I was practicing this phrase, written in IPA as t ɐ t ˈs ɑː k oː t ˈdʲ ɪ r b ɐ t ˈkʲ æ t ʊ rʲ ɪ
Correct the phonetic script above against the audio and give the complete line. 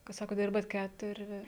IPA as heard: k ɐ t ˈs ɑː k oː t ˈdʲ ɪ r b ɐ t ˈkʲ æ t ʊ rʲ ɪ